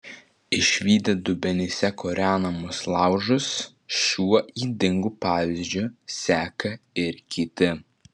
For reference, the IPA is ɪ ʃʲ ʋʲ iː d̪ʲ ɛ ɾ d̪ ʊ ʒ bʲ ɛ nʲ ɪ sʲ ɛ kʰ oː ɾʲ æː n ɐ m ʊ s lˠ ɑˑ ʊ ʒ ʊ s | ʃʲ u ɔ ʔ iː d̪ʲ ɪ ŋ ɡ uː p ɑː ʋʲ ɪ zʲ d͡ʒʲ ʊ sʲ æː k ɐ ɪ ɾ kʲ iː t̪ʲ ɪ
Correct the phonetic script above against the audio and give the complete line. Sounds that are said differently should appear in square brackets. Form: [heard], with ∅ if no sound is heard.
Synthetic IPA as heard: ɪ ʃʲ ʋʲ iː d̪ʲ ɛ [∅] d̪ ʊ [∅] bʲ ɛ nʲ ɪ sʲ ɛ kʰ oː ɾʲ æː n ɐ m ʊ s lˠ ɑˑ ʊ ʒ ʊ s | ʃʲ u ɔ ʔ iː d̪ʲ ɪ ŋ ɡ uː p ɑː ʋʲ ɪ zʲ d͡ʒʲ ʊ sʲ æː k ɐ ɪ ɾ kʲ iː t̪ʲ ɪ